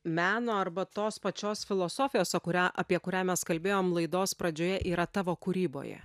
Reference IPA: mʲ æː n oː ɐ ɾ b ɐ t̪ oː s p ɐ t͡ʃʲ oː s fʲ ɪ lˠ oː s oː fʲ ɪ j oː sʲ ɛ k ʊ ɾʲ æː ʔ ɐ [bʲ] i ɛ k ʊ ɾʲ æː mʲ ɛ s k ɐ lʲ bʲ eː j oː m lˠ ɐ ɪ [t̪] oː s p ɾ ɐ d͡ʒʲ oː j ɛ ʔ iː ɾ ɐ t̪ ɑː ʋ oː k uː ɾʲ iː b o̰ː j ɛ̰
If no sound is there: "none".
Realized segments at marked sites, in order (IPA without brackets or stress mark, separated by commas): pʲ, d̪